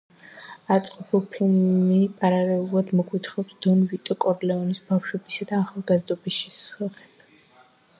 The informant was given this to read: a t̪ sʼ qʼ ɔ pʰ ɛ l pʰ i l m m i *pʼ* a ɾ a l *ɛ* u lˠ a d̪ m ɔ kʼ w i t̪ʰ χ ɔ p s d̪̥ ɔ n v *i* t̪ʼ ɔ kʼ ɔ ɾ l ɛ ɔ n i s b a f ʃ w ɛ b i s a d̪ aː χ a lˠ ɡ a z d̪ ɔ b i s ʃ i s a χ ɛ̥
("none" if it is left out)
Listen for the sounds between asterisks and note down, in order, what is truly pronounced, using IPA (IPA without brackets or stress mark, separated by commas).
pʼ, ɛ, i